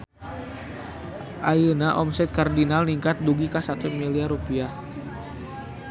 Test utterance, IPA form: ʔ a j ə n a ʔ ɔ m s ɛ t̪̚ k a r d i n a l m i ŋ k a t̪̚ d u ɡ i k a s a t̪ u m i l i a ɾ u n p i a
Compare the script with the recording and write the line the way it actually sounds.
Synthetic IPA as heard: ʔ a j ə n a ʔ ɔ m s ɛ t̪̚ k a r d i n a l n i ŋ k a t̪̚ d u ɡ i k a s a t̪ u m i l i a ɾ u p i a